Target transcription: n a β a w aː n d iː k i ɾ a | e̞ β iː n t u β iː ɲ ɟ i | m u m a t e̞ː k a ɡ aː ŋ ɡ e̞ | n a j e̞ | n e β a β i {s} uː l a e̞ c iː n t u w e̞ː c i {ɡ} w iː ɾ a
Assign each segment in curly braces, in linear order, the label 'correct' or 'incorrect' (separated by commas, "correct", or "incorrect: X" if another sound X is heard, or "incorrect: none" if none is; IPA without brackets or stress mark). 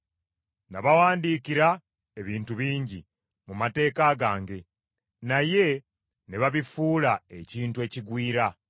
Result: incorrect: f, correct